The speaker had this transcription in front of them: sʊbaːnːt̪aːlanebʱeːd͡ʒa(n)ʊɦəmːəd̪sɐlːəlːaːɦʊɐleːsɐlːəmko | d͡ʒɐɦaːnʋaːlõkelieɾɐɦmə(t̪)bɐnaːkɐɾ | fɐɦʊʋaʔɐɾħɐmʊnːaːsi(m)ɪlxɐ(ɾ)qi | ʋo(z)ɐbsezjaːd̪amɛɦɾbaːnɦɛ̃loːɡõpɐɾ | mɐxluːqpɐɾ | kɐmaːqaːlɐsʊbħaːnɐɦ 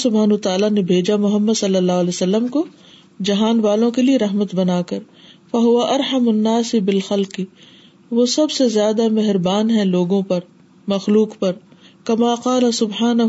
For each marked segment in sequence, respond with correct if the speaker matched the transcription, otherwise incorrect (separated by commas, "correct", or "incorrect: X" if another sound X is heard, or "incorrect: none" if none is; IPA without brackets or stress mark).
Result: incorrect: m, correct, incorrect: b, incorrect: l, incorrect: s